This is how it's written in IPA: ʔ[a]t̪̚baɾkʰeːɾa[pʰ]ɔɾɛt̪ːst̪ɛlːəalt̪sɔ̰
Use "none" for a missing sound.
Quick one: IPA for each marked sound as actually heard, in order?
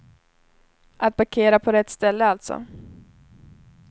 a, pʰ

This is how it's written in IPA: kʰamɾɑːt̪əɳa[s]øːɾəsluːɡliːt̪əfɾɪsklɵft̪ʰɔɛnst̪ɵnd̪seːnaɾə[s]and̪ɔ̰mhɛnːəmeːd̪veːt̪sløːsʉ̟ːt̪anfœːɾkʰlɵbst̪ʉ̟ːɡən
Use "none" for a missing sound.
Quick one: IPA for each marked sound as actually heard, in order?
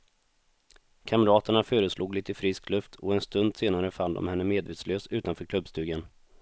f, f

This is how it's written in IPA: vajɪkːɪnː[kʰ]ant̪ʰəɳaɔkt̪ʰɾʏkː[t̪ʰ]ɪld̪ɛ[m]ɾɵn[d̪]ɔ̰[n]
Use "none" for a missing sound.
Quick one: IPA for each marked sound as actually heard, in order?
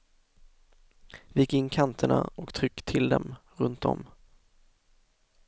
kʰ, t̪ʰ, m, t̪, m

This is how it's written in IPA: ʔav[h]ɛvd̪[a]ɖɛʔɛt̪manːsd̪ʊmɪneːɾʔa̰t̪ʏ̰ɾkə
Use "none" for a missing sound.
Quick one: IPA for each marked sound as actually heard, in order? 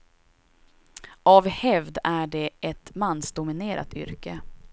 h, æ

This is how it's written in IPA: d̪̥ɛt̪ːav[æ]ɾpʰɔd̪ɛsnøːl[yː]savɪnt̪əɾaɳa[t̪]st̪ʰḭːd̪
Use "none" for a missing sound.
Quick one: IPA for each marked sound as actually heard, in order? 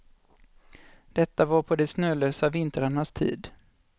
a, øː, none

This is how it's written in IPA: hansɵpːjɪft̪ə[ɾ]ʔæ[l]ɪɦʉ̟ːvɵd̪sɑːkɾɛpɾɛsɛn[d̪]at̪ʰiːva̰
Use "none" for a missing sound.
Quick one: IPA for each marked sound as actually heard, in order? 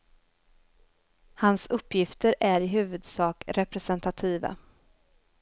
ɾ, ɾ, t̪

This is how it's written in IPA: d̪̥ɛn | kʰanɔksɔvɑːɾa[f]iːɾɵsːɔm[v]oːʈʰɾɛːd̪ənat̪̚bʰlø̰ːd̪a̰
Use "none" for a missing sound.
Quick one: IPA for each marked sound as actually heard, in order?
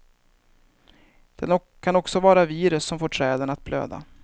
v, f

